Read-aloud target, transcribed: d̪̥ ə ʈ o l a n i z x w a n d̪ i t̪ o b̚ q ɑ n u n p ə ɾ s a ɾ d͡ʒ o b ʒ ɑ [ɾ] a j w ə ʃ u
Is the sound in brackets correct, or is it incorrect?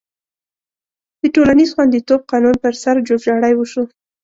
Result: incorrect